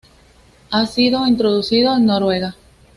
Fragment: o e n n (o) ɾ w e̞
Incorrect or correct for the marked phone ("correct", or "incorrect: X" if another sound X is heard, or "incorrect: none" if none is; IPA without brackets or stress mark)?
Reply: correct